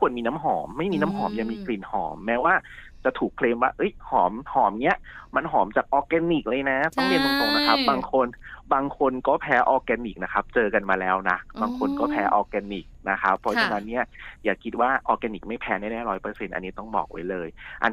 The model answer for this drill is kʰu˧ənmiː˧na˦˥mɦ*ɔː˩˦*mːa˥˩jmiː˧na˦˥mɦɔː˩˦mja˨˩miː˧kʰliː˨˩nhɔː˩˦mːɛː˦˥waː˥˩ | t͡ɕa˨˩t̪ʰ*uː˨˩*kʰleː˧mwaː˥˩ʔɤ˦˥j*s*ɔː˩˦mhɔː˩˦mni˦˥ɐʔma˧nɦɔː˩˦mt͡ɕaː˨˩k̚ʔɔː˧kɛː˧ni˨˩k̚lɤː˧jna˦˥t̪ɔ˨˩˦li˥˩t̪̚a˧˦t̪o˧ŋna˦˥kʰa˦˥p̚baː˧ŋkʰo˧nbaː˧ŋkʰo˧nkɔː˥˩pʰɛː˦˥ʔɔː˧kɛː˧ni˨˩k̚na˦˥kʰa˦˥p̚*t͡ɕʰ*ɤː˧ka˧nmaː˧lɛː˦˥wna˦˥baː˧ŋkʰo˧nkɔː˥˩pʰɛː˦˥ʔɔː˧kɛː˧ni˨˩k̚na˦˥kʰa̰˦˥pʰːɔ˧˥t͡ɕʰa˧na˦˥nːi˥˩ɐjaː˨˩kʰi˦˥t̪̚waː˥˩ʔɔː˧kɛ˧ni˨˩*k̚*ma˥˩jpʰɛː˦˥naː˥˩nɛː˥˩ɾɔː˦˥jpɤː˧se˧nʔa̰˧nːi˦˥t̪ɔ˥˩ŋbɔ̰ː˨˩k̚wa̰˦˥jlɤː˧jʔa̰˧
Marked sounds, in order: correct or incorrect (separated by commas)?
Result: correct, correct, incorrect, incorrect, correct